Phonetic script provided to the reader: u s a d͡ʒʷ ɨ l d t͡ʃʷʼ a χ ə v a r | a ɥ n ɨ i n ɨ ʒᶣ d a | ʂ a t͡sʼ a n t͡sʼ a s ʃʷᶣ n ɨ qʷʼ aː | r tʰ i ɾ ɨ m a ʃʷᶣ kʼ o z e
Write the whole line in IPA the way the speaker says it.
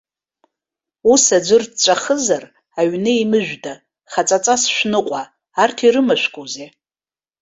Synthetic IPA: u s a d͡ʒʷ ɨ r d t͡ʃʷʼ a χ ə z a r | a ɥ n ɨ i m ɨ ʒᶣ d a | χ a t͡sʼ a t͡sʼ a s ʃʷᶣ n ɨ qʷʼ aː | r tʰ i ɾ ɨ m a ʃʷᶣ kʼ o z e